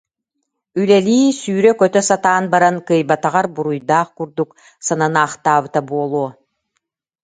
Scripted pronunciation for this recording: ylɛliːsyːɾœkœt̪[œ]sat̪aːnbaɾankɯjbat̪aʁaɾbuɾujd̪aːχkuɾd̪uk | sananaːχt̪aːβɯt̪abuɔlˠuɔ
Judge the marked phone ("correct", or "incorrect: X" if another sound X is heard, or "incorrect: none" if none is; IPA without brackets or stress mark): correct